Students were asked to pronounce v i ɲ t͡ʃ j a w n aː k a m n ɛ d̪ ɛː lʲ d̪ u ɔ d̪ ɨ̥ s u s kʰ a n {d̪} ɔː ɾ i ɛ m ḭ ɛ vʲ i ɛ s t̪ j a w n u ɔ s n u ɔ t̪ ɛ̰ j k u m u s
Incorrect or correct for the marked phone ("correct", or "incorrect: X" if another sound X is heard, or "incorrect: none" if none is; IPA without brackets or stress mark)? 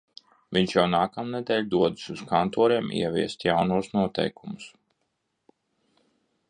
incorrect: t̪